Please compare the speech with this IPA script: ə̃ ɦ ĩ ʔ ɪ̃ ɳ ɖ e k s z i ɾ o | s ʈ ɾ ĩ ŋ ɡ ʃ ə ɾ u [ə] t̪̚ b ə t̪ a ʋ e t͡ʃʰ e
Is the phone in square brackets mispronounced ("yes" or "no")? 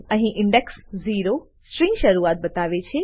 yes